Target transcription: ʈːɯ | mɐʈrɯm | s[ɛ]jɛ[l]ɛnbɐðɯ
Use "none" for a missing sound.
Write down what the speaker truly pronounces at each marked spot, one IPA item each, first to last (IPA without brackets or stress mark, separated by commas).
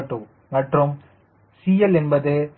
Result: i, l